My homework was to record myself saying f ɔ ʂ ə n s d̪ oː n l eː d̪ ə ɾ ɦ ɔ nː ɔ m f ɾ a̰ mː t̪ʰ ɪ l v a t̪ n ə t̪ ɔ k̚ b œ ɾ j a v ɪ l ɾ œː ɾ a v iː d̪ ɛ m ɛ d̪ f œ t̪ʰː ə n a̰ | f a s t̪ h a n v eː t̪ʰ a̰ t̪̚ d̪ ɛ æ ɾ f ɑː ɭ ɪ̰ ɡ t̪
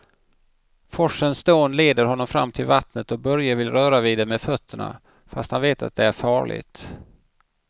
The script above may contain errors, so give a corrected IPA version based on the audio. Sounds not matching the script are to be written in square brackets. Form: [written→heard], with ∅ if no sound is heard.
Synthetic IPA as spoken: f ɔ ʂ ə n s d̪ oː n l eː d̪ ə ɾ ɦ ɔ nː ɔ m f ɾ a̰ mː t̪ʰ ɪ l v a t̪ n ə t̪ ɔ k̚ b œ ɾ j a v ɪ l ɾ œː ɾ a v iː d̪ ɛ m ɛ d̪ f œ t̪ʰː ə [n→ɳ] a̰ | f a s t̪ h a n v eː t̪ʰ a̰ t̪̚ d̪ ɛ æ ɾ f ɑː ɭ ɪ̰ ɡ t̪